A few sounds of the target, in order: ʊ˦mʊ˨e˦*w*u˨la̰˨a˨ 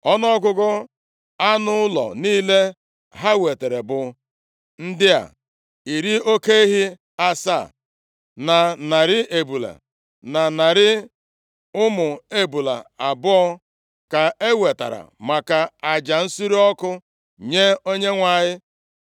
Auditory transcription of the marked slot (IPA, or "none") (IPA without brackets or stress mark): b